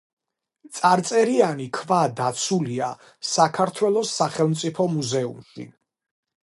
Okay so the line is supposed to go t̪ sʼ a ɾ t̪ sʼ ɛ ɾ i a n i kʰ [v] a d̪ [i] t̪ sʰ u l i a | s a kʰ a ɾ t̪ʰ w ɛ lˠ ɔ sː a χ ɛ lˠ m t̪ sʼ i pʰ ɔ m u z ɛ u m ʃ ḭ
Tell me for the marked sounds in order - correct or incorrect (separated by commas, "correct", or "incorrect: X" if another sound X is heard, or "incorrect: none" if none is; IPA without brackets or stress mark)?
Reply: correct, incorrect: a